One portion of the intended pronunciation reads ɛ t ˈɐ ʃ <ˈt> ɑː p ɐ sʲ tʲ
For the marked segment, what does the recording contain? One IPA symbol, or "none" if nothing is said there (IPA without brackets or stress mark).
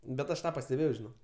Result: t